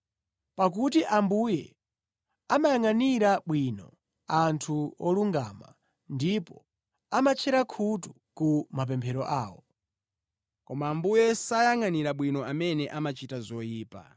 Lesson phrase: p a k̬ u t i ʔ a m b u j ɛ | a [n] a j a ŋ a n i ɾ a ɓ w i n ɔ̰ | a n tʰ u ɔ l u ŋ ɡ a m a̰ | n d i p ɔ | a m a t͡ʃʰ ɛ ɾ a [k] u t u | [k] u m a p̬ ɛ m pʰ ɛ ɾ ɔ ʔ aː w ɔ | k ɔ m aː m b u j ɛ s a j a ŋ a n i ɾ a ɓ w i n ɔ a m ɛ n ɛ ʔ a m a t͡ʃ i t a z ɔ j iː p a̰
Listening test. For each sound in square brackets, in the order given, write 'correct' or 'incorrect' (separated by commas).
incorrect, incorrect, correct